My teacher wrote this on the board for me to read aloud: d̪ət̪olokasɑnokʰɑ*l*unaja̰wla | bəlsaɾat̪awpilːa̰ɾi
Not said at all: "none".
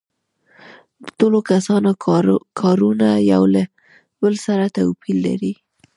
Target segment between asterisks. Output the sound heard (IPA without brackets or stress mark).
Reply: ɾ